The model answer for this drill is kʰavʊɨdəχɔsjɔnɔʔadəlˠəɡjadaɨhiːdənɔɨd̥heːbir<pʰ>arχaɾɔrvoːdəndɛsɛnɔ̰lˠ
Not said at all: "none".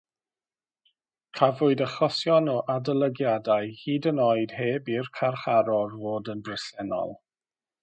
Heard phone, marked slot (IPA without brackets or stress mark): kʰ